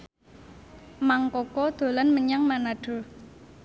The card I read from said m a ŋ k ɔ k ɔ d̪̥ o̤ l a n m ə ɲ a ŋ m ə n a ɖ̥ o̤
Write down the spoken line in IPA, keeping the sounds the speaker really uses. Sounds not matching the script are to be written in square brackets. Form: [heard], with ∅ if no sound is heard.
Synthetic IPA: m a ŋ k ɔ k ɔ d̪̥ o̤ l a n m ə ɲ a ŋ m [a] n a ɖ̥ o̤